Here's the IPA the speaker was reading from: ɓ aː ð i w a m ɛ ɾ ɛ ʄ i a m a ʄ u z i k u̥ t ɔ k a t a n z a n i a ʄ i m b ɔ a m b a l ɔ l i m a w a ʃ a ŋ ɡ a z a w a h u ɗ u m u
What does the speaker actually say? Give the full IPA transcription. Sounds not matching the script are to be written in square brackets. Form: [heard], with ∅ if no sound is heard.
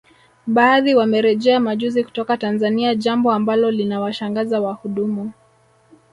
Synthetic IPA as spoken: ɓ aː ð i w a m ɛ ɾ ɛ ʄ [ɛ] a m a ʄ u z i k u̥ t ɔ k a t a n z a n i a ʄ [a] m b ɔ a m b a l ɔ l i [n] a w a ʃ a ŋ ɡ a z a w a h u ɗ u m u